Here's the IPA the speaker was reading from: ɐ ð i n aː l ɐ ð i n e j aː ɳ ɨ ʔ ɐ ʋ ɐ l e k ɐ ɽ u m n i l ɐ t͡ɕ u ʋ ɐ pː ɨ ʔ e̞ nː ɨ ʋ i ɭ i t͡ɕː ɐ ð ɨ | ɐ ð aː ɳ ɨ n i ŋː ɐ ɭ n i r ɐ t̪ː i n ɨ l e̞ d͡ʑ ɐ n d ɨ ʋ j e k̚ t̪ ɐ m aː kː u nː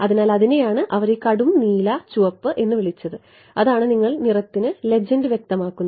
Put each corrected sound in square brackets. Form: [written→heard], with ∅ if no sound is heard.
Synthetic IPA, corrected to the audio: ɐ ð i n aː l ɐ ð i n e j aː ɳ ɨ ʔ ɐ ʋ ɐ [l→ɾ] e k ɐ ɽ u m n [i→iː] l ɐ t͡ɕ u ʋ ɐ pː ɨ ʔ e̞ nː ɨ ʋ i ɭ i t͡ɕː ɐ ð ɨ | ɐ ð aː ɳ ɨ n i ŋː ɐ ɭ n i r ɐ t̪ː i n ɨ l e̞ d͡ʑ ɐ n d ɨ ʋ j e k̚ t̪ ɐ m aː kː u nː